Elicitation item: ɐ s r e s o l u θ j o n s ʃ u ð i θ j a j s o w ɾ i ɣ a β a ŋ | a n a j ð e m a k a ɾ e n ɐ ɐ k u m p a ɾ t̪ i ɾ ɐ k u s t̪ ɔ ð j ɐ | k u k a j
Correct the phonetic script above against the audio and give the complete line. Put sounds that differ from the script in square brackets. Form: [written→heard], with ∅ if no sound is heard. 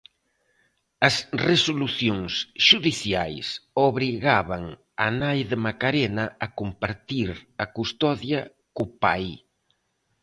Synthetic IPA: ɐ s r e s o l u θ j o [n→ŋ] s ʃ u ð i θ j a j s o [w→β] ɾ i ɣ a β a ŋ | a n a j ð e m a k a ɾ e n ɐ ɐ k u m p a ɾ t̪ i ɾ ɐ k u s t̪ ɔ ð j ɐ | k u [k→p] a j